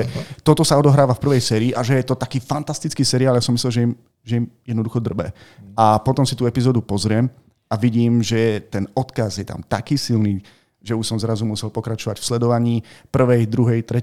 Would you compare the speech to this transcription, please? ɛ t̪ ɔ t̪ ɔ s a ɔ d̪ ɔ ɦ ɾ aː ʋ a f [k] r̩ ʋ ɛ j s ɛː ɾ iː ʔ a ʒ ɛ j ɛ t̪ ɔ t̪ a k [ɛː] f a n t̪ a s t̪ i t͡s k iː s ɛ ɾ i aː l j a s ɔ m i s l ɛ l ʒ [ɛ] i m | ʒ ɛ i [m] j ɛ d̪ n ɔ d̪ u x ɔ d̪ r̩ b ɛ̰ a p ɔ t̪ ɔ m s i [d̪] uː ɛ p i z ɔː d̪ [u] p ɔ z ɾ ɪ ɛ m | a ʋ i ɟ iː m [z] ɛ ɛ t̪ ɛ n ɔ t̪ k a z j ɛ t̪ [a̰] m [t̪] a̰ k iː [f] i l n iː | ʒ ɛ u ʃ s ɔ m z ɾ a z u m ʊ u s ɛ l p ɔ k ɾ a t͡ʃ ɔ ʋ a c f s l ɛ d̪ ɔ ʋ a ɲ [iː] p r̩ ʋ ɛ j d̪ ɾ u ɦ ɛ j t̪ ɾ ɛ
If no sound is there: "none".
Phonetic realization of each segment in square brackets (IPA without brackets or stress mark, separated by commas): p, iː, ɛ, m, t̪, u, ʒ, a̰, t̪, s, iː